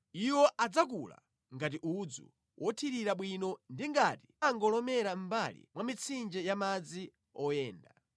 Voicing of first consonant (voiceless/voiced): voiced